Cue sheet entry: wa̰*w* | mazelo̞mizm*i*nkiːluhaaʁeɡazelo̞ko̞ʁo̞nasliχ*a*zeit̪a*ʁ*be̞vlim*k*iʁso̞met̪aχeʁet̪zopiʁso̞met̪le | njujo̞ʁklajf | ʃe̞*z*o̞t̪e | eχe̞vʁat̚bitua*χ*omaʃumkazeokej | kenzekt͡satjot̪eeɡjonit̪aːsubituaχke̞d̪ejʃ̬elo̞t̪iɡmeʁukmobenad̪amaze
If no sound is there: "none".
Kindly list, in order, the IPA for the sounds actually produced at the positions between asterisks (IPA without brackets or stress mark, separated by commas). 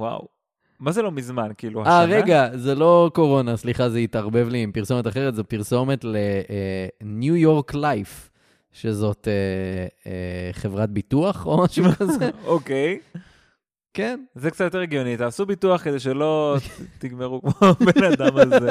w, a, a, ʁ, p, z, χ